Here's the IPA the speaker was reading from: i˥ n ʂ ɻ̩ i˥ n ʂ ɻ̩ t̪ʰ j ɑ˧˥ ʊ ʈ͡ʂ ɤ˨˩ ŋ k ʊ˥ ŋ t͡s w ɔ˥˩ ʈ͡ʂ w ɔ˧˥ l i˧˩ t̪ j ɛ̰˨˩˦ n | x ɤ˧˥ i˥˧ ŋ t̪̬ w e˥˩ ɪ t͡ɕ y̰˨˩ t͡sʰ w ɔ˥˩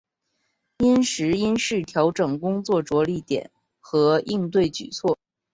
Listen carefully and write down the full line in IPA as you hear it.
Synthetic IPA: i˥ n ʂ ɻ̩ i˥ n ʂ ɻ̩ t̪ʰ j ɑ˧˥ ʊ ʈ͡ʂ ɤ˨˩ ŋ k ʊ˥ ŋ t͡s w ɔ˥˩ ʈ͡ʂ w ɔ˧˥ l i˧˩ t̪ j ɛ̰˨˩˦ n | x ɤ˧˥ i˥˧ ŋ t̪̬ w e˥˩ ɪ t͡ɕ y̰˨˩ t͡sʰ w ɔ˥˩